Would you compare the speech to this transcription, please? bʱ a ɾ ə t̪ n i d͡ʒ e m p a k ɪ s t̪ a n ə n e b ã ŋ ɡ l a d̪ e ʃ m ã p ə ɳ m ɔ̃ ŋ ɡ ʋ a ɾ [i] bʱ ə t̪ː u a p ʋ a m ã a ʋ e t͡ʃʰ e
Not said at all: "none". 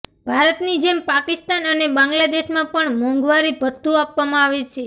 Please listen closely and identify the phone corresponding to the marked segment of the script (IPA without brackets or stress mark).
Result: i